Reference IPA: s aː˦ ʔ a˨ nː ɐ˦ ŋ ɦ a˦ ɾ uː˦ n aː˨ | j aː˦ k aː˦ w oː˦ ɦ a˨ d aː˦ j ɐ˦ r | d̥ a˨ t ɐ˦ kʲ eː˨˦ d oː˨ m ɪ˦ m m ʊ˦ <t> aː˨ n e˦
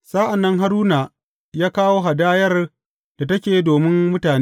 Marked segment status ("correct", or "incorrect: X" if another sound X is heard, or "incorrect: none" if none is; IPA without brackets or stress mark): correct